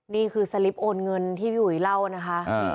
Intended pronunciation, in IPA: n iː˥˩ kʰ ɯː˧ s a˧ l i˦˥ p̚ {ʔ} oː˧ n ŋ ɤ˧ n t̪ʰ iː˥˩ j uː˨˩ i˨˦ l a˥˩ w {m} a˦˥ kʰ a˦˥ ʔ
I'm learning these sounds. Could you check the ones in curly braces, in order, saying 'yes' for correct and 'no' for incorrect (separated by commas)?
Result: yes, no